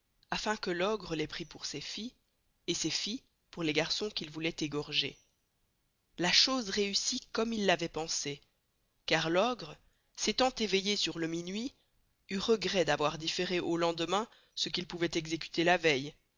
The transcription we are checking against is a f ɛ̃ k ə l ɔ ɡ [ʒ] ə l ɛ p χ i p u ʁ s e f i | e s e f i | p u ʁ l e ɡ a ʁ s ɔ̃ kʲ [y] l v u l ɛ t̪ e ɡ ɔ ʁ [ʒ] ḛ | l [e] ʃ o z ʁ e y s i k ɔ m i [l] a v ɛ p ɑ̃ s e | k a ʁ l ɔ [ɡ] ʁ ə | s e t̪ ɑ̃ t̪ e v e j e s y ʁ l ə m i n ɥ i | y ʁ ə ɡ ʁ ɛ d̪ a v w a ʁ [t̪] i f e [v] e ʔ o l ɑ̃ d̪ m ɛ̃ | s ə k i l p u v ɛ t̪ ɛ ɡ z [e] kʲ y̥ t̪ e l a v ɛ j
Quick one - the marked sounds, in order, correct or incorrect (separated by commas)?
incorrect, incorrect, correct, incorrect, incorrect, correct, incorrect, incorrect, correct